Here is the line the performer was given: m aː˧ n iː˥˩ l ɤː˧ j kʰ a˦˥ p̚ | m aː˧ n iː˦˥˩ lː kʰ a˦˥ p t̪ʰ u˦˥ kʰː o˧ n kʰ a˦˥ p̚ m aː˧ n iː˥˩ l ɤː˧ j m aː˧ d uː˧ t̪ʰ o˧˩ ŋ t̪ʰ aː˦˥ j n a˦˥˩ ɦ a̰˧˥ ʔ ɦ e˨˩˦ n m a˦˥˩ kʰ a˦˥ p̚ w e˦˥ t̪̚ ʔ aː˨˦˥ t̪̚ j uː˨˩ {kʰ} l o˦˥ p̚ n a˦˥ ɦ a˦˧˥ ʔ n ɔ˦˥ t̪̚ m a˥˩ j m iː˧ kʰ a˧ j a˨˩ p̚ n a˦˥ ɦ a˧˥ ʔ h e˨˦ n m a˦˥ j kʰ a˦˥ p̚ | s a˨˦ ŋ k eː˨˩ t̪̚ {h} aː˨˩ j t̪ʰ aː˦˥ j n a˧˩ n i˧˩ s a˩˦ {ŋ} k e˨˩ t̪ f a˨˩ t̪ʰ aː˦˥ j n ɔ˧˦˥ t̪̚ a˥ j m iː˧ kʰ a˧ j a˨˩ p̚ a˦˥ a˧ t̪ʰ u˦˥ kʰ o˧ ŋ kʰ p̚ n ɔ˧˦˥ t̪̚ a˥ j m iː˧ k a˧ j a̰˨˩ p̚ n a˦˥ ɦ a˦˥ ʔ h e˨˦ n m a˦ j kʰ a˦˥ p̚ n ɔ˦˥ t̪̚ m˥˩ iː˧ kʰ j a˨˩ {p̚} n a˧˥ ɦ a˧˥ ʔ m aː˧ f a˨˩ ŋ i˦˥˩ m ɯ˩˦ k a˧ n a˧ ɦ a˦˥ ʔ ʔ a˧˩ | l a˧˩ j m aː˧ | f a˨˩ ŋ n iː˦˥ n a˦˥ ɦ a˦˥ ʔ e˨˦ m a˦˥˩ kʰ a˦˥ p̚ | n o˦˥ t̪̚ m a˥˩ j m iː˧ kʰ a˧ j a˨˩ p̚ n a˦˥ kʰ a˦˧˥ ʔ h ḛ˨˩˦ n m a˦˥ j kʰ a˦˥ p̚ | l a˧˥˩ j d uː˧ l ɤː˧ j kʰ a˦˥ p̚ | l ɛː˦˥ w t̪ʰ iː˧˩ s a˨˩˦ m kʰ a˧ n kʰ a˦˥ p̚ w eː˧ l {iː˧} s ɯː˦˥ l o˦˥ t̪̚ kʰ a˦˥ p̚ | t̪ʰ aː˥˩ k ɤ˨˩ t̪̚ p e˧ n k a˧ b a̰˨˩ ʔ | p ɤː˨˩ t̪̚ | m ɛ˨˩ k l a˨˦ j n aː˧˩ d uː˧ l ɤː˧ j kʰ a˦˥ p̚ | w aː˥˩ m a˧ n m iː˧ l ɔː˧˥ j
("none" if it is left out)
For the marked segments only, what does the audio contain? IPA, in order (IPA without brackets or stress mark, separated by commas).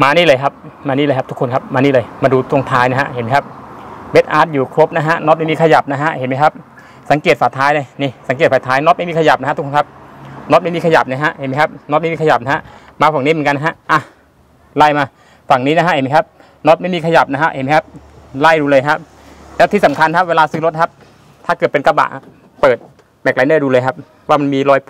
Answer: kʰ, f, ŋ, p̚, aː˧